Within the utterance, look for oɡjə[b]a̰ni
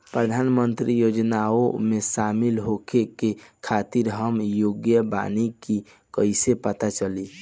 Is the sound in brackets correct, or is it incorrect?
correct